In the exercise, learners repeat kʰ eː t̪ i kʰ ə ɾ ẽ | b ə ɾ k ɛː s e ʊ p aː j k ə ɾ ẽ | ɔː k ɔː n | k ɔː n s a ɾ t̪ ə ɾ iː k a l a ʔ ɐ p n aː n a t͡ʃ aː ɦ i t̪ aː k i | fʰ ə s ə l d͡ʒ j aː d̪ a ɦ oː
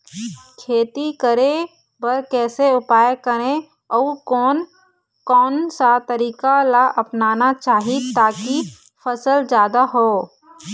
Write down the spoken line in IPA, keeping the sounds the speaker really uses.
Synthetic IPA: kʰ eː t̪ i k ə ɾ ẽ | b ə ɾ k ɛː s e ʊ p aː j k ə ɾ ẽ | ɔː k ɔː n | k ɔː n s a t̪ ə ɾ iː k a l a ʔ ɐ p n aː n a t͡ʃ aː ɦ i t̪ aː k i | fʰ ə s ə l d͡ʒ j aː d̪ a ɦ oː